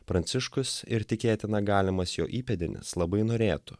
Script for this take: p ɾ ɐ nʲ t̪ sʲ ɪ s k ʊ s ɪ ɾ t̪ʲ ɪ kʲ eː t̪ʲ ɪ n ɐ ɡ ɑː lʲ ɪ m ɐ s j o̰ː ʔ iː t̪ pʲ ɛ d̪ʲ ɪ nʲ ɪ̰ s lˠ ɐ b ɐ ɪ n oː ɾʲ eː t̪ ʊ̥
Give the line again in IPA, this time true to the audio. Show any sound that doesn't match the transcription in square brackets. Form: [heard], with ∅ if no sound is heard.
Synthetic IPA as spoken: p ɾ ɐ nʲ t̪ sʲ ɪ [ʃ] k ʊ s ɪ ɾ t̪ʲ ɪ kʲ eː t̪ʲ ɪ n ɐ ɡ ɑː lʲ ɪ m ɐ s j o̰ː ʔ iː [∅] pʲ ɛ d̪ʲ ɪ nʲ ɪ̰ s lˠ ɐ b ɐ ɪ n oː ɾʲ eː t̪ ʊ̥